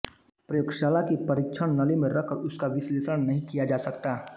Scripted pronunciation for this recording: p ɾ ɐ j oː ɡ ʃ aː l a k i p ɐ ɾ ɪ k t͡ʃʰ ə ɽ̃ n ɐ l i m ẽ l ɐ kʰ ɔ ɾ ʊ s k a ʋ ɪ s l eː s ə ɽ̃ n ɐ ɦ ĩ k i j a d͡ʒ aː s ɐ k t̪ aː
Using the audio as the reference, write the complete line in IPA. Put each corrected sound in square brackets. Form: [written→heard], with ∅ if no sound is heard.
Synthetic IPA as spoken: p ɾ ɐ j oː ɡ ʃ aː l a k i p ɐ ɾ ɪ k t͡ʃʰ ə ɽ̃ n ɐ l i m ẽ [l→ɾ] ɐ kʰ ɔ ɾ ʊ s k a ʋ ɪ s l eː s ə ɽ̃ n ɐ ɦ ĩ k i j a d͡ʒ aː s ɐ k t̪ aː

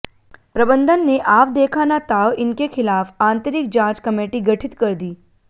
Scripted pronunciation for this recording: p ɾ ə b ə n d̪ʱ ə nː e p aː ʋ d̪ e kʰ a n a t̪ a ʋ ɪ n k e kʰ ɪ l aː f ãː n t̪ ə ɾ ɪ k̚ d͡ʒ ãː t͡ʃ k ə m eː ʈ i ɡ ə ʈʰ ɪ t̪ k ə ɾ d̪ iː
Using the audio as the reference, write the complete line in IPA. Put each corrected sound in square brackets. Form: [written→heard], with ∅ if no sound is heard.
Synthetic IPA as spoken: p ɾ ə b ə n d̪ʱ ə nː e [p→ʔ] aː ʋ d̪ e kʰ a n a t̪ a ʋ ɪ n k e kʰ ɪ l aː f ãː n t̪ ə ɾ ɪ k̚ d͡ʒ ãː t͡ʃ k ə m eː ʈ i ɡ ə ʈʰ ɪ t̪ k ə ɾ d̪ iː

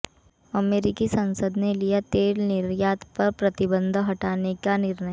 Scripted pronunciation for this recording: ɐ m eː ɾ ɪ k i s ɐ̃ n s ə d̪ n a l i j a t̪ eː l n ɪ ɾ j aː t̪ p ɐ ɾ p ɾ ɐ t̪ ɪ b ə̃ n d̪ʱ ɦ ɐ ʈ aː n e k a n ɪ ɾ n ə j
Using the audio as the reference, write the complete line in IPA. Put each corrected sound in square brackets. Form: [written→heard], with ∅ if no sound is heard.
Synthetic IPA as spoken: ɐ m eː ɾ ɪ k i s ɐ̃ n s ə d̪ n [a→e] l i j a t̪ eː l n ɪ ɾ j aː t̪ p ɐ ɾ p ɾ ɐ t̪ ɪ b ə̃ n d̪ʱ ɦ ɐ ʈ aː n e k a n ɪ ɾ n ə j

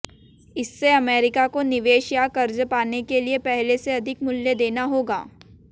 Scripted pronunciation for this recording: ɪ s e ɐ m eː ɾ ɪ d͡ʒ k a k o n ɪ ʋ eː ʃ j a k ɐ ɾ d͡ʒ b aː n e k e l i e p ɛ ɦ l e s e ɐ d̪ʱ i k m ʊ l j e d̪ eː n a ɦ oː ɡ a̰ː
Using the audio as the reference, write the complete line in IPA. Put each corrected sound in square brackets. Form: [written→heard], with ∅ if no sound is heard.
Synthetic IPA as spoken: ɪ [s→sː] e ɐ m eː ɾ ɪ [d͡ʒ→∅] k a k o n ɪ ʋ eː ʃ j a k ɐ ɾ d͡ʒ [b→p] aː n e k e l i e p ɛ ɦ l e s e ɐ d̪ʱ [i→ɪ] k m ʊ l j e d̪ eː n a ɦ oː ɡ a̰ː

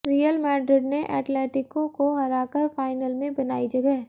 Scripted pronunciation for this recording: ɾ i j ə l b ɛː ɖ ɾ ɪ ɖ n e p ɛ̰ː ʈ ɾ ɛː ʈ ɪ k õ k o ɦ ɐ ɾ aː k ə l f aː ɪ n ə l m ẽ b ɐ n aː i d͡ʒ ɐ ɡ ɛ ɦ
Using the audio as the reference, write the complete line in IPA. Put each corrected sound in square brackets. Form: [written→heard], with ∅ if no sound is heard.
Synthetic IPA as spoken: ɾ i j ə l [b→m] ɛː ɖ ɾ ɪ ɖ n e [p→ʔ] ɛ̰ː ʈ [ɾ→l] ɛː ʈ ɪ k õ k o ɦ ɐ ɾ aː k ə [l→ɾ] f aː ɪ n ə l m ẽ b ɐ n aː i d͡ʒ ɐ ɡ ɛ ɦ

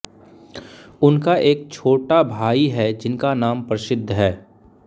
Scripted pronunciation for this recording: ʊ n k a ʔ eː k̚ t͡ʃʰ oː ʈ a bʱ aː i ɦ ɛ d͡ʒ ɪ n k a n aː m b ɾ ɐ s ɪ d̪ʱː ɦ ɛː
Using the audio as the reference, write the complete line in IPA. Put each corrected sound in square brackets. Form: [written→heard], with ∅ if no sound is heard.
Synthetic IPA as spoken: ʊ n k a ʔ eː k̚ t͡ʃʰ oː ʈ a bʱ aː i ɦ ɛ d͡ʒ ɪ n k a n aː m [b→p] ɾ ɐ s ɪ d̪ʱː ɦ ɛː

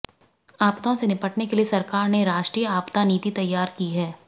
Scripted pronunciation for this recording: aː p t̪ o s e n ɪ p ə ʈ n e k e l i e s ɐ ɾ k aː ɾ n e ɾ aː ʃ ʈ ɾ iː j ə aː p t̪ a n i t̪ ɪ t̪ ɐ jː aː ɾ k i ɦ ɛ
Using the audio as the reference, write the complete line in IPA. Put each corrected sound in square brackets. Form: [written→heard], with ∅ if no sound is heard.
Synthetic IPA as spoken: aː p t̪ [o→õ] s e n ɪ p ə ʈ n e k e l i e s ɐ ɾ k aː ɾ n e ɾ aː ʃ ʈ ɾ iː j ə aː p t̪ a n [i→iː] t̪ [ɪ→i] t̪ ɐ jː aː ɾ k i ɦ [ɛ→ɛː]

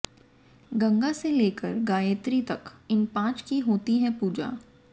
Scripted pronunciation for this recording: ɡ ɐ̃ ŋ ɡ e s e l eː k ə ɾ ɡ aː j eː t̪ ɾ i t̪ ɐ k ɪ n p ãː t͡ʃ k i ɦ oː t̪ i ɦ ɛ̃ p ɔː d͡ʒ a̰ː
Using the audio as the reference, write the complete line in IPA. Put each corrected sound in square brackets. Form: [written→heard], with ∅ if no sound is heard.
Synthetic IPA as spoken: ɡ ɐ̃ ŋ ɡ [e→a] s e l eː k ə ɾ ɡ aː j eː t̪ ɾ i t̪ ɐ k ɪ n p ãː t͡ʃ k i ɦ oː t̪ i ɦ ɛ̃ p [ɔː→uː] d͡ʒ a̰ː

